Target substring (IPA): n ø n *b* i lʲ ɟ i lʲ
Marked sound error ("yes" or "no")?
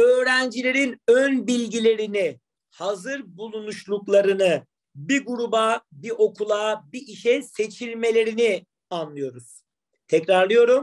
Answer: no